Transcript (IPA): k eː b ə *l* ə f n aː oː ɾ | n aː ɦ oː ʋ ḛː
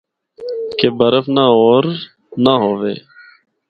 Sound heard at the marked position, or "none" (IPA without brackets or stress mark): ɾ